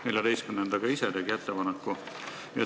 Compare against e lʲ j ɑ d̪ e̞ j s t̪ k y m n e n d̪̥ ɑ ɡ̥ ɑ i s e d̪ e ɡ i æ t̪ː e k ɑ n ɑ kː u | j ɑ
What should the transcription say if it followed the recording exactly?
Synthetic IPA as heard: e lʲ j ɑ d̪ e̞ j s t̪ k y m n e n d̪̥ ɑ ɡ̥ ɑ i s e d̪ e ɡ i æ t̪ː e p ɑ n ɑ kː u | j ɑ